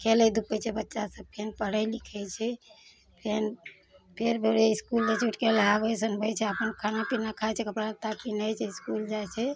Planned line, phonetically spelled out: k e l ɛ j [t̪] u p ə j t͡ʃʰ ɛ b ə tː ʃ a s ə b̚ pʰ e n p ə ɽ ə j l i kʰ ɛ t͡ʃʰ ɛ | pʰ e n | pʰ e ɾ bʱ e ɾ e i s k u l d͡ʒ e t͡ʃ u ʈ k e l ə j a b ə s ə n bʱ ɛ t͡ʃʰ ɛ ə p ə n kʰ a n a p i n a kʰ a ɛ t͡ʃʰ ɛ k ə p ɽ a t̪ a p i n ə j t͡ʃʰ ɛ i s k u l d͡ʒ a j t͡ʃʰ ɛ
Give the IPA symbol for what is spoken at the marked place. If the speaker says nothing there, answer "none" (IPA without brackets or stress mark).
d̪